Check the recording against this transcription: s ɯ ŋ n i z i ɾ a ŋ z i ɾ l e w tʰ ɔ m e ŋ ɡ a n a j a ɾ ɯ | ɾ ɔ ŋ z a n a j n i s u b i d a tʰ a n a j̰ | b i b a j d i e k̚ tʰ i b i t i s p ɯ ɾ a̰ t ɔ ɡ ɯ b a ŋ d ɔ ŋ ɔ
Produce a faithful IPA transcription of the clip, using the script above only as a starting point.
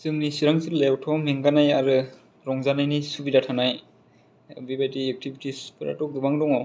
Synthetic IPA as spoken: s ɯ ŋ n i s i ɾ a ŋ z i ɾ l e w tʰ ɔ m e ŋ ɡ a n a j a ɾ ɯ | ɾ ɔ ŋ z a n a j n i s u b i d a tʰ a n a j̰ | b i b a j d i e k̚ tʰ i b i t i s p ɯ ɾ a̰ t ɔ ɡ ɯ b a ŋ d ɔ ŋ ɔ